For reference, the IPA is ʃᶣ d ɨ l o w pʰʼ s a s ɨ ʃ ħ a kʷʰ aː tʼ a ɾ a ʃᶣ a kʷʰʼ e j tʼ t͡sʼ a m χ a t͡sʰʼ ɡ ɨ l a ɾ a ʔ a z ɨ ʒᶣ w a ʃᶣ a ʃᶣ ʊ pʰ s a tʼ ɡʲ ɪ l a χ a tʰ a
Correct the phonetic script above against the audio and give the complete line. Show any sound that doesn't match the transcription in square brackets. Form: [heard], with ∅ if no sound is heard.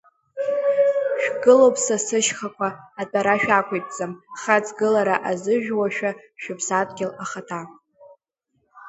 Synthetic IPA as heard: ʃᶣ [ɡ] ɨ l o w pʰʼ s a s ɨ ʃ [χ] a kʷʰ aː tʼ a ɾ a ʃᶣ a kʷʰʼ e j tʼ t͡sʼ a m χ a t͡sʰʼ ɡ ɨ l a ɾ a ʔ a z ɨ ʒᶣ w a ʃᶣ a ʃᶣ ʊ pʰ s a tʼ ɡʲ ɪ l a χ a tʰ a